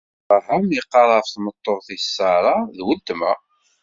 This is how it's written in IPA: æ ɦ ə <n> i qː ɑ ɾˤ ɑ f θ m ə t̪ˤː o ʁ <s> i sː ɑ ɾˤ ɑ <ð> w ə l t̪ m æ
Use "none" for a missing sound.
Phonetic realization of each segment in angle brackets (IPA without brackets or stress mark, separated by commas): m, θ, ð